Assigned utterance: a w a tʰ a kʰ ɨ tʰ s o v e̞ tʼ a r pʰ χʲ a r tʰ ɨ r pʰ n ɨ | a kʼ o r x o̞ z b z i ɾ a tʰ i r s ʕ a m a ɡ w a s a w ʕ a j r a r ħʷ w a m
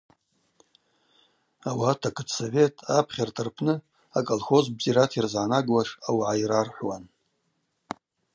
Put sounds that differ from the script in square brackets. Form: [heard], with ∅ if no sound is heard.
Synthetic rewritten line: a w a tʰ a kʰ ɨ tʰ s o v e̞ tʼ a [∅] pʰ χʲ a r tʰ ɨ r pʰ n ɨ | a kʼ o [l] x o̞ z b z i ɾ a tʰ i r [z] ʕ a [n] a ɡ w a [ʂ] a w ʕ a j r a r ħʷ w a [n]